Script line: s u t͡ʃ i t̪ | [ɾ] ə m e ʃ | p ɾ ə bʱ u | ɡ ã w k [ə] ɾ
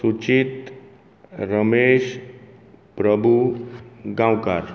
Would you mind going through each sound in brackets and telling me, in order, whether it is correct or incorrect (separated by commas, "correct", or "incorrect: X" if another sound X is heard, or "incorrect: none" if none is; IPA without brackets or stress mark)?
correct, incorrect: a